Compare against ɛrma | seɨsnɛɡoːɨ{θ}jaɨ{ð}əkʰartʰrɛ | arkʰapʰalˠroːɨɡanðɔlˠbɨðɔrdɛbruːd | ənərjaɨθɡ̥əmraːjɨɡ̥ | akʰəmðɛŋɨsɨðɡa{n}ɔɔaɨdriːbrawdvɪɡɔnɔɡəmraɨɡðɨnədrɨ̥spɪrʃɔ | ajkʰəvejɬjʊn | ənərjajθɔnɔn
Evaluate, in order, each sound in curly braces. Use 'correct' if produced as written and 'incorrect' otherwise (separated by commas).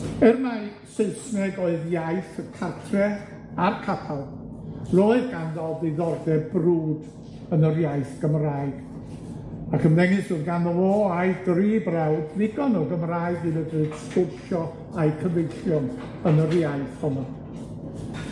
incorrect, incorrect, correct